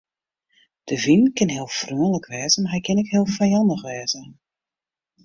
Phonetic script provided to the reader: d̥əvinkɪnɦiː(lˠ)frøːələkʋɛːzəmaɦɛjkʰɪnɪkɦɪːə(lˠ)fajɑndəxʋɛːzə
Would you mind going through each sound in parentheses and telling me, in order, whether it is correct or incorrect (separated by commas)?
correct, correct